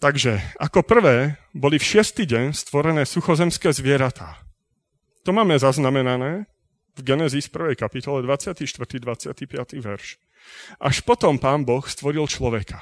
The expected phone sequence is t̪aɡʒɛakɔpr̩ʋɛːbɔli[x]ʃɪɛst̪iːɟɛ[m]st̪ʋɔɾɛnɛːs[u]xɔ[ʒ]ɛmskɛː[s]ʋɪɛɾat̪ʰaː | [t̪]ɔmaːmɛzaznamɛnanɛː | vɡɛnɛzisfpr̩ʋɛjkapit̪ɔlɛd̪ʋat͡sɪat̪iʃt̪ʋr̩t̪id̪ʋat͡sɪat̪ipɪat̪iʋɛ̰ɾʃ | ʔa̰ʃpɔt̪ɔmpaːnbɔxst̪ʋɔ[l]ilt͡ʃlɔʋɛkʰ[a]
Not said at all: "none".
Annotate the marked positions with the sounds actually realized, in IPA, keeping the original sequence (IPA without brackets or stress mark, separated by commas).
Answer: f, ɲ, u, z, z, t̪, ɾ, a